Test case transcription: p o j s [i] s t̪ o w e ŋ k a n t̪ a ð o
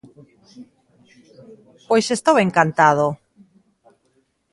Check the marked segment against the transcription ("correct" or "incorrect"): incorrect